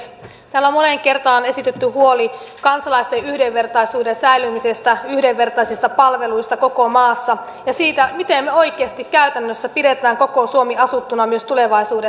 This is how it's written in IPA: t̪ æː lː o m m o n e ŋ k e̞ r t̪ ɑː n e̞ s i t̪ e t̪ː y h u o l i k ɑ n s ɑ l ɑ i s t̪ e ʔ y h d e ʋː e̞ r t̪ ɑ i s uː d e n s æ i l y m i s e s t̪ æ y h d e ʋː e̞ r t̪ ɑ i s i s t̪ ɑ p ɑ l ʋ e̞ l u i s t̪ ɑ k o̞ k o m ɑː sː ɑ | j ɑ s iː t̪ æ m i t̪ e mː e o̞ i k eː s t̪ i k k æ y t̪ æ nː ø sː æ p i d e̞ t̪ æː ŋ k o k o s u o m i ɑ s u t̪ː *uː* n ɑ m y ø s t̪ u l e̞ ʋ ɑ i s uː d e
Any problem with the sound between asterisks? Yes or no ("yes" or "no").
yes